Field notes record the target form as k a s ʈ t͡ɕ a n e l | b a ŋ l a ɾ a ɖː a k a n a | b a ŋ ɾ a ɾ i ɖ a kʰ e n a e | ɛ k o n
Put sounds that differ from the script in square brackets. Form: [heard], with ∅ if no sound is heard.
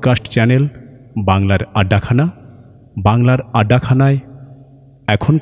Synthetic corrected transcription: k a s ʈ t͡ɕ [ɛ] n e l | b a ŋ l a ɾ a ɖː a [kʰ] a n a | b a ŋ [l] a ɾ [a] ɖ a kʰ [a] n a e | ɛ [kʰ] o n